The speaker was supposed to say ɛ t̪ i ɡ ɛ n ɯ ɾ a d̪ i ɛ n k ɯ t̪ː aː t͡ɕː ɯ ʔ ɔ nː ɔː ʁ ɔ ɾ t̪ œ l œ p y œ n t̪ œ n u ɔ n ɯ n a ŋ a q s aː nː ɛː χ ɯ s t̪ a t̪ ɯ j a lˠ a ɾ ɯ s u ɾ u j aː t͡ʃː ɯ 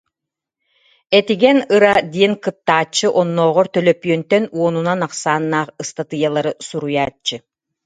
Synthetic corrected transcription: ɛ t̪ i ɡ ɛ n ɯ ɾ a d̪ i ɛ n k ɯ t̪ː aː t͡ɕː ɯ ʔ ɔ nː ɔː ʁ ɔ ɾ t̪ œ l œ p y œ n t̪ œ n u ɔ n u n a n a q s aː nː aː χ ɯ s t̪ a t̪ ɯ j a lˠ a ɾ ɯ s u ɾ u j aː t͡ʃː ɯ